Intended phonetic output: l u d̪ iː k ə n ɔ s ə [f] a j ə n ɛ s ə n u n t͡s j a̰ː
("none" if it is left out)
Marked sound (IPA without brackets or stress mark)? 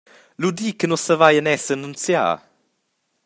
v